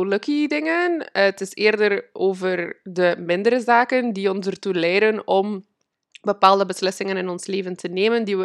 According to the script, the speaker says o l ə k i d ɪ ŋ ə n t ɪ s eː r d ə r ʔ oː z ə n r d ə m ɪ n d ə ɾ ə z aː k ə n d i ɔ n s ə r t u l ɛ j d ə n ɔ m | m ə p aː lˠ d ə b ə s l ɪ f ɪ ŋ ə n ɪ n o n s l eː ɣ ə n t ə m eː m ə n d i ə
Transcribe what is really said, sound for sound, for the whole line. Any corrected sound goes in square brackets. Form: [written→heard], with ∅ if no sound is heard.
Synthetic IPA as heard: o l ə k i d ɪ ŋ ə n t ɪ s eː r d ə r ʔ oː [z→v] ə [n→∅] r d ə m ɪ n d ə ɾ ə z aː k ə n d i ɔ n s ə r t u l ɛ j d ə n ɔ m | [m→b] ə p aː lˠ d ə b ə s l ɪ [f→s] ɪ ŋ ə n ɪ n [o→ɔ] n s l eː [ɣ→v] ə n t ə [m→n] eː m ə n d i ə